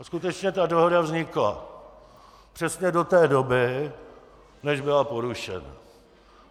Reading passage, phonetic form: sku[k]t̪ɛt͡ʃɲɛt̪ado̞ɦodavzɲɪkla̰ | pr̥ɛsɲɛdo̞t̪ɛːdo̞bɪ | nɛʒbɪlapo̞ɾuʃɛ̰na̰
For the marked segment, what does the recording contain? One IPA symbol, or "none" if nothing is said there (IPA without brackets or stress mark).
none